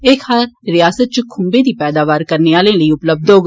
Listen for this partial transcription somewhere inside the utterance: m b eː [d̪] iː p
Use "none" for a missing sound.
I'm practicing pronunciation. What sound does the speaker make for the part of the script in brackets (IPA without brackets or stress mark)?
d̪